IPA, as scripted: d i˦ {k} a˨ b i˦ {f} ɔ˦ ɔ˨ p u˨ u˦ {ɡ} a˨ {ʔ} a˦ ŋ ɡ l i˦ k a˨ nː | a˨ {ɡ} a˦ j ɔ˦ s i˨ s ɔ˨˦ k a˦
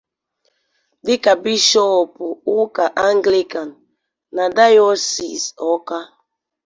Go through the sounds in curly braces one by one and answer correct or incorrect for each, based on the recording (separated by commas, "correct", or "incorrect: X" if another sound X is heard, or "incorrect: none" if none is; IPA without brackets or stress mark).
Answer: correct, incorrect: ʃ, incorrect: k, correct, incorrect: d